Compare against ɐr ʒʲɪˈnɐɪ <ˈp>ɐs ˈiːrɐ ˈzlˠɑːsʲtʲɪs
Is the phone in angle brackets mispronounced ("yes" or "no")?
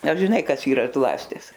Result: yes